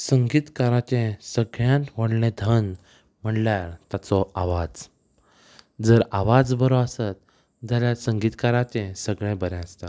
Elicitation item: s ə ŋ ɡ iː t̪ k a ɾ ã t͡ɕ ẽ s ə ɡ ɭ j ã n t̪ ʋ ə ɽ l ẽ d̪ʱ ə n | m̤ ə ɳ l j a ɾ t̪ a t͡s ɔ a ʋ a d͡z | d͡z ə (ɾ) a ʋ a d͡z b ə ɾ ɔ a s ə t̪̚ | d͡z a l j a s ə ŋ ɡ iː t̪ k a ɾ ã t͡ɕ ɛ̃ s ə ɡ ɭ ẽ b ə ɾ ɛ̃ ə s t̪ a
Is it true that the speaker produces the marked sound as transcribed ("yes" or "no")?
yes